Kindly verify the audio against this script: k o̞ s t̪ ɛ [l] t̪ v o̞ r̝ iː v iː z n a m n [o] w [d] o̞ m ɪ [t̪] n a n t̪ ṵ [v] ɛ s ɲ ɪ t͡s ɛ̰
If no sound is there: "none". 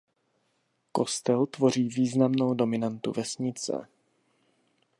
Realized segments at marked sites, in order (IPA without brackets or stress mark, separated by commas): l, o, d, none, v